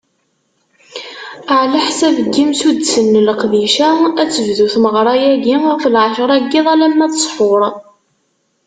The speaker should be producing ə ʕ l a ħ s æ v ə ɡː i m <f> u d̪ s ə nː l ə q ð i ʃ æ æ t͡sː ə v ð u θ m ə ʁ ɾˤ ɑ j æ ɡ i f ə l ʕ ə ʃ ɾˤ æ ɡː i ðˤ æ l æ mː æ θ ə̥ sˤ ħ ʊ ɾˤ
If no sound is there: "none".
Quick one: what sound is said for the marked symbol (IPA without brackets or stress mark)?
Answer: s